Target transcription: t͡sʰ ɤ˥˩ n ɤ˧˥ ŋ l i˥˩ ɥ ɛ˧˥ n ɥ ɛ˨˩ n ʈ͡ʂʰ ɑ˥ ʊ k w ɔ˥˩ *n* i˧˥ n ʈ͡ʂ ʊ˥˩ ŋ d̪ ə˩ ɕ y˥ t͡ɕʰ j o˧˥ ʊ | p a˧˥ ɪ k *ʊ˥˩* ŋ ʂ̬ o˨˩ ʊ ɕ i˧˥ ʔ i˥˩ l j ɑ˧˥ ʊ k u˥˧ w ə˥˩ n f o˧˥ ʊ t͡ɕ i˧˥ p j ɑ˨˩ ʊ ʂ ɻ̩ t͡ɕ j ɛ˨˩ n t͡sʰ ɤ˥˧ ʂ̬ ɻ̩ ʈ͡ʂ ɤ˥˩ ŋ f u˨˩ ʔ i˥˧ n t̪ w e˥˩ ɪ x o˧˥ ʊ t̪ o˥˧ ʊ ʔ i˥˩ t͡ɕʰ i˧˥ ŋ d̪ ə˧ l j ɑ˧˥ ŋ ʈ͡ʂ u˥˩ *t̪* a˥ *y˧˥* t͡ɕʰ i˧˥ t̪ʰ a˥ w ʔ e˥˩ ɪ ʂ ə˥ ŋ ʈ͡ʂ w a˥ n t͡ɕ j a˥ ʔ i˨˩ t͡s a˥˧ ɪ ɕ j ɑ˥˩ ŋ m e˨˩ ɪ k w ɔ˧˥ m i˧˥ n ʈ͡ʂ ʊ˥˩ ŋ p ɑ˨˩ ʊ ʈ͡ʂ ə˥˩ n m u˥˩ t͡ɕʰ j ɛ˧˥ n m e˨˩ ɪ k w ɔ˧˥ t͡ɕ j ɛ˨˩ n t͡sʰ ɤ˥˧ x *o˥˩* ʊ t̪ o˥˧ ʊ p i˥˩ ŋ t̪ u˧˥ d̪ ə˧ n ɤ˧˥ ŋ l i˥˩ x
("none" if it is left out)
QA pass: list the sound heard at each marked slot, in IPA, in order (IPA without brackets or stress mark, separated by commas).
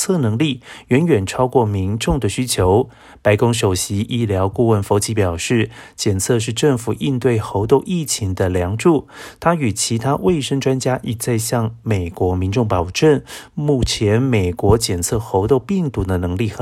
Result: m, ʊ˥, t̪ʰ, y˨˩, o˧˥